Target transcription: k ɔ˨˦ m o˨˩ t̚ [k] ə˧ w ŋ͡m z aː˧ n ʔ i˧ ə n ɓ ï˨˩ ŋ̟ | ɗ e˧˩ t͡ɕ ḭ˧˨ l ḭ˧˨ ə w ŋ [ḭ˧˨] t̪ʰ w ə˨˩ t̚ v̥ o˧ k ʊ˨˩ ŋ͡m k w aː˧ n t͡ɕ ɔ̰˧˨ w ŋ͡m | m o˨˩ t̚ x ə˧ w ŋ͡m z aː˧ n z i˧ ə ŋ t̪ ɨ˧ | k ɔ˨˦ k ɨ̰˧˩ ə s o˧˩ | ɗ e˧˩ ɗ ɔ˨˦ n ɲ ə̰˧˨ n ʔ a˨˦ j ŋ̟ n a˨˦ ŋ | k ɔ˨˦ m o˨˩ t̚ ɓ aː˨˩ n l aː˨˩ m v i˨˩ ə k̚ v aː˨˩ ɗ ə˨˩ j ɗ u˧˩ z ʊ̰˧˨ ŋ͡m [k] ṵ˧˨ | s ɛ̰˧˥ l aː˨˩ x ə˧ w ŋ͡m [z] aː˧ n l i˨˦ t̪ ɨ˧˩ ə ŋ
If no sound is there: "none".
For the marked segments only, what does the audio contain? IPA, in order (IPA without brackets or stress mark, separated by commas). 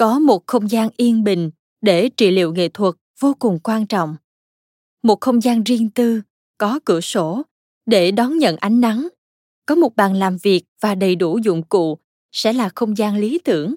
x, ḛ˧˨, k, z